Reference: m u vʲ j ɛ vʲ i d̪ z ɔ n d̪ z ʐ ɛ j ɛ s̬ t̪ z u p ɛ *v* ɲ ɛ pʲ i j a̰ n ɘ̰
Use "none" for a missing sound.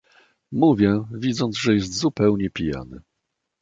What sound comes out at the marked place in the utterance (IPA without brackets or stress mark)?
w